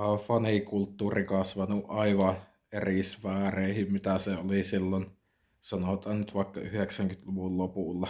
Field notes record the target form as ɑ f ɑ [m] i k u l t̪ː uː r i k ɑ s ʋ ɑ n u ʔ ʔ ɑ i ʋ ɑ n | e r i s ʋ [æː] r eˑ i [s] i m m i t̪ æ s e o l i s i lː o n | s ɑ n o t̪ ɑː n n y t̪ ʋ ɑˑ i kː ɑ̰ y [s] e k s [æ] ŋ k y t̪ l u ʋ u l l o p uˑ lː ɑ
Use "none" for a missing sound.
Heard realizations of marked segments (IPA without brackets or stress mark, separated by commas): n, æː, h, h, æ